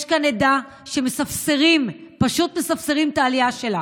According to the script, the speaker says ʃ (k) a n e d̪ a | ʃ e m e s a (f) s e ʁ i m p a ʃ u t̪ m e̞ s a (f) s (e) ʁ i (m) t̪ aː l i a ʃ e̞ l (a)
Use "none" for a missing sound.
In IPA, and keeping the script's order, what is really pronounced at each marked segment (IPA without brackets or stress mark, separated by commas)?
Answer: k, f, f, e, m, a